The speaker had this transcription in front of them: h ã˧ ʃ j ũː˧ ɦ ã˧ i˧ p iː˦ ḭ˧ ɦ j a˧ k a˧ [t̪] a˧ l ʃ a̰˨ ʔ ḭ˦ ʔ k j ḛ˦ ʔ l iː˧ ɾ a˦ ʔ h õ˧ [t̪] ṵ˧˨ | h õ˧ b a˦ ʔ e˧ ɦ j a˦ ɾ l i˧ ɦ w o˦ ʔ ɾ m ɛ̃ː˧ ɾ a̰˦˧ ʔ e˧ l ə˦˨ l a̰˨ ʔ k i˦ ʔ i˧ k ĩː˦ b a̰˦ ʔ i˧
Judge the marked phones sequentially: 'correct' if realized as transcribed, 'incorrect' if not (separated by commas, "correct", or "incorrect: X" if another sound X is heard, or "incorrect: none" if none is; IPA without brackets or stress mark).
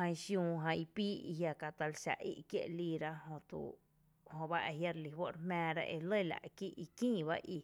correct, correct